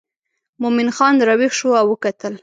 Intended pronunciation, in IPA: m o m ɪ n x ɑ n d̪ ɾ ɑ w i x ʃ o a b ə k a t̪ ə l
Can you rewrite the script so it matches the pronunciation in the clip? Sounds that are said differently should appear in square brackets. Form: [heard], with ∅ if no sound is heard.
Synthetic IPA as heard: m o m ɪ n x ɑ n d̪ ɾ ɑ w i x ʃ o a [w] ə k a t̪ ə l